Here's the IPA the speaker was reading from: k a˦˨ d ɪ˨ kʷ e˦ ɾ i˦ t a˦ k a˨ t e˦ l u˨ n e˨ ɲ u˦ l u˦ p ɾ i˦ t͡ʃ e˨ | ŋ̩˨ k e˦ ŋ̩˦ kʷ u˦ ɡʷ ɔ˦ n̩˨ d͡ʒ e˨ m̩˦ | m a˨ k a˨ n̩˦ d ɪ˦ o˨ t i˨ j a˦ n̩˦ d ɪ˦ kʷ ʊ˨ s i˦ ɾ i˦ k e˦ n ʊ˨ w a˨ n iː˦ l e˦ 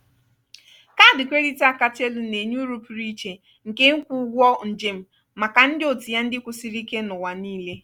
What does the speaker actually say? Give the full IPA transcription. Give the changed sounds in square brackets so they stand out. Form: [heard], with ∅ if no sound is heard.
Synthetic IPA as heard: k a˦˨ d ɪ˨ kʷ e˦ ɾ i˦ t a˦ k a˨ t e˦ l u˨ n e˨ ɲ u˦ [ɾ] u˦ p ɾ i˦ t͡ʃ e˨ | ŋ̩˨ k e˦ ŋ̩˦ kʷ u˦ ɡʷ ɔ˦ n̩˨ d͡ʒ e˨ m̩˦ | m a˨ k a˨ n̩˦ d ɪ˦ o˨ t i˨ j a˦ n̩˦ d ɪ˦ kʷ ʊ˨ s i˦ ɾ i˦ k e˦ n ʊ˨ w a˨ n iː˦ l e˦